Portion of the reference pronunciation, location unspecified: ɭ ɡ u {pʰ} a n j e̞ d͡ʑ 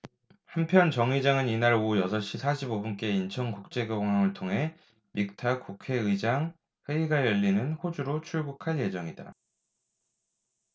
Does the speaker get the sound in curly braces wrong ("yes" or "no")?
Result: yes